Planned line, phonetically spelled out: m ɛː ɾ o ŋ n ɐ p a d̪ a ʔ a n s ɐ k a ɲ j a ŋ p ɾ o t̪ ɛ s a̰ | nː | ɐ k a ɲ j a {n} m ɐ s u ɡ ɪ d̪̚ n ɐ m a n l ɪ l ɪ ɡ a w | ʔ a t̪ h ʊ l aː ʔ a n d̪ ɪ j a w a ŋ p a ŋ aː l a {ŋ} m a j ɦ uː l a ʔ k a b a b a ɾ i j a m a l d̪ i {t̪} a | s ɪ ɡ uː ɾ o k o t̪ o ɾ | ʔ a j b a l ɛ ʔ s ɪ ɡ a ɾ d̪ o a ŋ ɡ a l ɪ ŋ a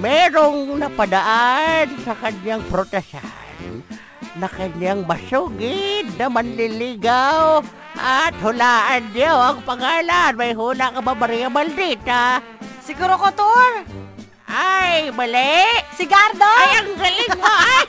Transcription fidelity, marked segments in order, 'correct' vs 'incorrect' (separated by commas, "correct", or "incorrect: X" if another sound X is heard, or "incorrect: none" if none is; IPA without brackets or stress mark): incorrect: ŋ, incorrect: n, correct